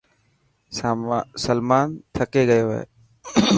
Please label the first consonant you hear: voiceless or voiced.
voiceless